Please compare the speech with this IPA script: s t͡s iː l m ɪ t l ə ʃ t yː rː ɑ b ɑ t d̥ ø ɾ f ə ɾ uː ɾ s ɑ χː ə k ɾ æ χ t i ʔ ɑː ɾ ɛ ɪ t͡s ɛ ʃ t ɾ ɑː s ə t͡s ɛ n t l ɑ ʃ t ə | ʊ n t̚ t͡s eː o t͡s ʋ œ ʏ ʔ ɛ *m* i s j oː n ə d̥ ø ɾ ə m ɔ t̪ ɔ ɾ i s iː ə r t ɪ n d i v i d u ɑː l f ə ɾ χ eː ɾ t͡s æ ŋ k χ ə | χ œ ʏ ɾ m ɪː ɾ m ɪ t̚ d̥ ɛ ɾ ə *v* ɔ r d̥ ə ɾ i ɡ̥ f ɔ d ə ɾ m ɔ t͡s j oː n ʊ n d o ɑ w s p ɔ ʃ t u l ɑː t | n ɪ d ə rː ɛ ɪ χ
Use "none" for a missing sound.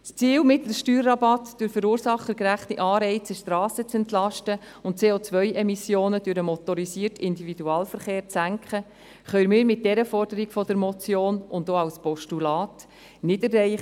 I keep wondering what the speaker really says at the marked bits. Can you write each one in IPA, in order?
m, f

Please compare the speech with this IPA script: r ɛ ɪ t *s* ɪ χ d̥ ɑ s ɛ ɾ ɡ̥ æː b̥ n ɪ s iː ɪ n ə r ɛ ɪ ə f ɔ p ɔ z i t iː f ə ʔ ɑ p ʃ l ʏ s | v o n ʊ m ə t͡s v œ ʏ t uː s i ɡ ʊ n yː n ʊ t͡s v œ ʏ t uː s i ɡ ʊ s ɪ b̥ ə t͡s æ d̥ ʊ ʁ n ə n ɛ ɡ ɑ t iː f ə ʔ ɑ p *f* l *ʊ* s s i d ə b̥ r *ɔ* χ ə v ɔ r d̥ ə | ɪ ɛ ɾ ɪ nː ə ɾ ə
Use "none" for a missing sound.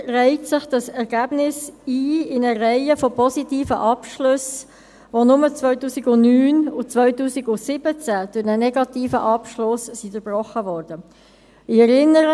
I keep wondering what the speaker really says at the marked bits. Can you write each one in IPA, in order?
s, ʃ, ʊ, ɔ

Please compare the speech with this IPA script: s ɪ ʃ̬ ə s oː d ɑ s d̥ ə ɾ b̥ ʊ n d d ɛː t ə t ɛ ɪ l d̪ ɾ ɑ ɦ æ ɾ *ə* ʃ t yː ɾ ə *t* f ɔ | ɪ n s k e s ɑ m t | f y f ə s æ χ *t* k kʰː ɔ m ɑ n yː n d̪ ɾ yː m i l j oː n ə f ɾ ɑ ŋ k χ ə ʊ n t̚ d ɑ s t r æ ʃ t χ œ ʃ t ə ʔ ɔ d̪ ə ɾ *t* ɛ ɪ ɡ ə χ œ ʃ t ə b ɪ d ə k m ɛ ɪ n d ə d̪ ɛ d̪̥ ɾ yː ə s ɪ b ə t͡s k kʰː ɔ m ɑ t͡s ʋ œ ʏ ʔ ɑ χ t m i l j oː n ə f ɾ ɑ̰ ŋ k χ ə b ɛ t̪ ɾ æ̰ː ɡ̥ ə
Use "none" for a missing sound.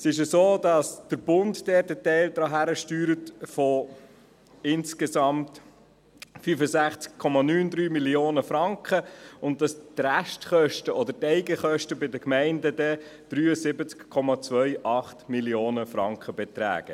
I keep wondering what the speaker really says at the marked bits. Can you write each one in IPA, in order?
ə, t, t͡s, t

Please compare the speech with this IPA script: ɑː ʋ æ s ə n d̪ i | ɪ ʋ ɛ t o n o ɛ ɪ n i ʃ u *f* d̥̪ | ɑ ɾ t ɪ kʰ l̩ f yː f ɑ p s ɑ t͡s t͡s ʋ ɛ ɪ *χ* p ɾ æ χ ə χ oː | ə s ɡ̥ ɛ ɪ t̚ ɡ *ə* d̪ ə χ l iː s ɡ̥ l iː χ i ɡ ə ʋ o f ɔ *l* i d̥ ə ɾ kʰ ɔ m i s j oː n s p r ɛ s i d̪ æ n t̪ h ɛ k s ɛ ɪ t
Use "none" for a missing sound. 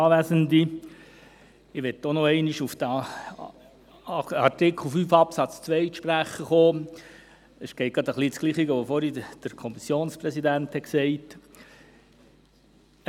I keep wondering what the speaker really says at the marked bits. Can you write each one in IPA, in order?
f, ʃ, ɑ, ɾ

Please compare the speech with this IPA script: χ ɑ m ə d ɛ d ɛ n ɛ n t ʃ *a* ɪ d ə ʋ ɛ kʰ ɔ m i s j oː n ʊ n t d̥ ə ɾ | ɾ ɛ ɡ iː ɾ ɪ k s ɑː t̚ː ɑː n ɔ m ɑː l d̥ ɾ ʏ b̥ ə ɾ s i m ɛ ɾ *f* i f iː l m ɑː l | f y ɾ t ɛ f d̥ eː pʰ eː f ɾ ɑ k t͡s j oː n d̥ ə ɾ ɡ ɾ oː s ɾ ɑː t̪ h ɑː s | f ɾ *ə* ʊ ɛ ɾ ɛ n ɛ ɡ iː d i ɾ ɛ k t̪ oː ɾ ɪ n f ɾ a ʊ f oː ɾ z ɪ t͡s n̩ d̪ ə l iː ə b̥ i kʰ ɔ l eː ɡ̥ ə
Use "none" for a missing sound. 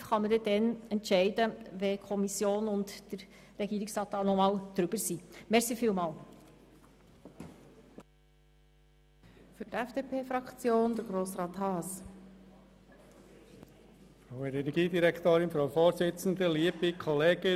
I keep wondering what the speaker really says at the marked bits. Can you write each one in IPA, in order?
ɛ, s, a

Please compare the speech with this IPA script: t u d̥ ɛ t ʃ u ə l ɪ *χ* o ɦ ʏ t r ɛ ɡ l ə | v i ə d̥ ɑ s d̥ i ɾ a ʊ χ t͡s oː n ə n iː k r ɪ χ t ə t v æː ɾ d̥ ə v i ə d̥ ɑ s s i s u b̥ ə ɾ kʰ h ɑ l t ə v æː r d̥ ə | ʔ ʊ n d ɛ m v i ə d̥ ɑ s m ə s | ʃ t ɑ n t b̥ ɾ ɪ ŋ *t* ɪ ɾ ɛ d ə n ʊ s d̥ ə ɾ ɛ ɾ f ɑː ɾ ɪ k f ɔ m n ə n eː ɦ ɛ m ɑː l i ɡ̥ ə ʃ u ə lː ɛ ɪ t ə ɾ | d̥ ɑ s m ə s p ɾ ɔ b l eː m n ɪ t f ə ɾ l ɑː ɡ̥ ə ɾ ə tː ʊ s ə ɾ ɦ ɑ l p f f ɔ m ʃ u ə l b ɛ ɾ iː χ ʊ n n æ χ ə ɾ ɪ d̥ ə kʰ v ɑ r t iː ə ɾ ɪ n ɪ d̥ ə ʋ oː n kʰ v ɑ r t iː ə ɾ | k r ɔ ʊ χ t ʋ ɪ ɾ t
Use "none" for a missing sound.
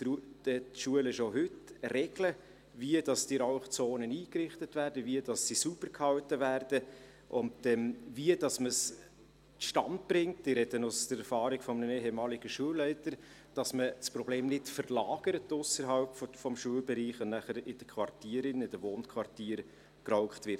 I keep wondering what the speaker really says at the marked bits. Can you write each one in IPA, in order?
ʃ, t

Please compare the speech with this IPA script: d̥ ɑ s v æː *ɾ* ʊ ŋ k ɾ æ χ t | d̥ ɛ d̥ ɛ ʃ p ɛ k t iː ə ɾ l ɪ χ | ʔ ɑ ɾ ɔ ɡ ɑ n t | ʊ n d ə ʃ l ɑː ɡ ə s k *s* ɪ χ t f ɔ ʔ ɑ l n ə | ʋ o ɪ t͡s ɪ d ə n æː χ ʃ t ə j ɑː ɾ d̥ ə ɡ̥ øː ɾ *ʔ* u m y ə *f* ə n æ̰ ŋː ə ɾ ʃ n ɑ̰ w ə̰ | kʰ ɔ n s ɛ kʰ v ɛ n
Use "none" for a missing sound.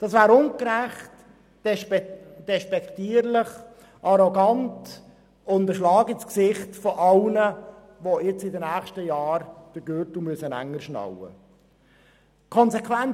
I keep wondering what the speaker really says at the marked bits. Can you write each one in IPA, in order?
ɾ, s, t, s

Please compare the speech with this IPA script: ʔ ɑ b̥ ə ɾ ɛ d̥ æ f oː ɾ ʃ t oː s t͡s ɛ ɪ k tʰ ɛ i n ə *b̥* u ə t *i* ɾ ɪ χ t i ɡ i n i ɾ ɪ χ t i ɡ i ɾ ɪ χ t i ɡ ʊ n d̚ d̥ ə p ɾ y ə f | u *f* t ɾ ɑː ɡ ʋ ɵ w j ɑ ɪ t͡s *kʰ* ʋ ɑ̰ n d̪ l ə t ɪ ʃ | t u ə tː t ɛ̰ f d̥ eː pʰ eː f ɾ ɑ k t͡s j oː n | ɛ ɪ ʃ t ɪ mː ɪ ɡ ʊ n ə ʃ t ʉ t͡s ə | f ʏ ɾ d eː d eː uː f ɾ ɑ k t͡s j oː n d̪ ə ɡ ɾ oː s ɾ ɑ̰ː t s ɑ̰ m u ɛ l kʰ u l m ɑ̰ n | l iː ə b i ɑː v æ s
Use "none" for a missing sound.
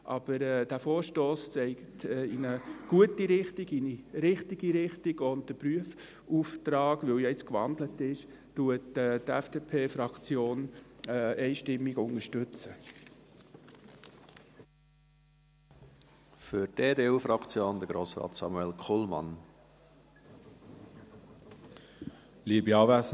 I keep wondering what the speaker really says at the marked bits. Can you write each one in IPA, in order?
ɡ̥, i, f, k

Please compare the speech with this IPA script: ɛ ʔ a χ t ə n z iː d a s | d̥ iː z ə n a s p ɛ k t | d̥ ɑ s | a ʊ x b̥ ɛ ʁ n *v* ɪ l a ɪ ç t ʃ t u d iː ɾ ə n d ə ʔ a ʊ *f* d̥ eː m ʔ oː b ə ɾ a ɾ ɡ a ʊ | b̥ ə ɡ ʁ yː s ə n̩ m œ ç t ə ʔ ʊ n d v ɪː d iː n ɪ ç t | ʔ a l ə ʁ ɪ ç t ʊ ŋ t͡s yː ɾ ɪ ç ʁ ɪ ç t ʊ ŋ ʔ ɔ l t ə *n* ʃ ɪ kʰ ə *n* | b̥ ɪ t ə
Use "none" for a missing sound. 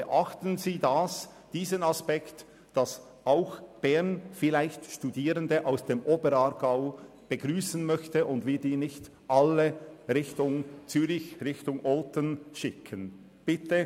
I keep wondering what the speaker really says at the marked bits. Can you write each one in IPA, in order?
f, s, n, n

